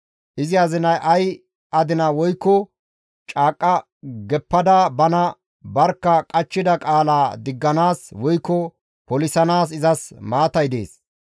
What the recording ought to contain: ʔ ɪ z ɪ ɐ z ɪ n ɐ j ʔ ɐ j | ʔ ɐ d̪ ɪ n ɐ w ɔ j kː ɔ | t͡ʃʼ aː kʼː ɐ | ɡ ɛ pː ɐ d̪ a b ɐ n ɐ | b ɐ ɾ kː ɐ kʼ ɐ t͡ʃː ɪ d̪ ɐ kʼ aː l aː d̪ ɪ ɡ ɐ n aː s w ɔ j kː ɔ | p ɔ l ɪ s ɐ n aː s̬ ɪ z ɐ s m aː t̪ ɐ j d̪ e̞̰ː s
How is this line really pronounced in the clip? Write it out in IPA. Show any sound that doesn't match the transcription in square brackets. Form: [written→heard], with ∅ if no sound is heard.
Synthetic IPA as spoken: ʔ ɪ z ɪ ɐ z ɪ n ɐ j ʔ ɐ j | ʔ ɐ d̪ ɪ n ɐ w ɔ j kː ɔ | t͡ʃʼ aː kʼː ɐ | ɡ ɛ pː ɐ d̪ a b ɐ n ɐ | b ɐ ɾ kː ɐ kʼ ɐ t͡ʃː ɪ d̪ ɐ kʼ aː l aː d̪ ɪ [ɡ→ɡː] ɐ n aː s w ɔ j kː ɔ | p ɔ l ɪ s ɐ n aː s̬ ɪ z ɐ s m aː t̪ ɐ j d̪ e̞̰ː s